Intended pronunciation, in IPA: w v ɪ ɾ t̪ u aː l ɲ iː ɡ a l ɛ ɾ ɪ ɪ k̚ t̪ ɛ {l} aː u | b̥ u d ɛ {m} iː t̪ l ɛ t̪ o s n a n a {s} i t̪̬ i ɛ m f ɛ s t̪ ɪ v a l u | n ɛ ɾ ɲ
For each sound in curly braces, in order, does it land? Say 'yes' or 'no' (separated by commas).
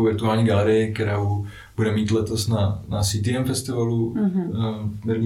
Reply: no, yes, yes